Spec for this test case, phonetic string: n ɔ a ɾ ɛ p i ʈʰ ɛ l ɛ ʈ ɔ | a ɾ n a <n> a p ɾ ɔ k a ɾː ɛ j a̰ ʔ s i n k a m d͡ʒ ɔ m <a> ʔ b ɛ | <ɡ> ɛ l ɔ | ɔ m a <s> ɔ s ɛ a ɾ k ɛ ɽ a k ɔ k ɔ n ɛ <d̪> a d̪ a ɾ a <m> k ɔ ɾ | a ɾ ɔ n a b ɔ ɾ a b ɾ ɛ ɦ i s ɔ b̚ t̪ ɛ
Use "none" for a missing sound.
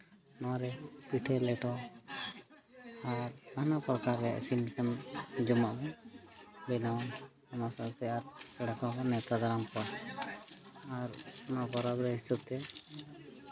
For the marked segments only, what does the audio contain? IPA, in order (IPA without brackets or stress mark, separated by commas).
n, a, b, s, t̪, m